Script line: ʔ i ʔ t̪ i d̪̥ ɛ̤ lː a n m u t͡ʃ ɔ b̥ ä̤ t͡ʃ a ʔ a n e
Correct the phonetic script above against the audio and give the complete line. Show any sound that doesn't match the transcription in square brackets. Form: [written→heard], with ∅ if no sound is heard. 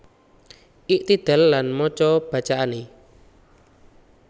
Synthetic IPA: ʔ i ʔ t̪ i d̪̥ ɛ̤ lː a n m [u→ɔ] t͡ʃ ɔ b̥ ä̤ t͡ʃ a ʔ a n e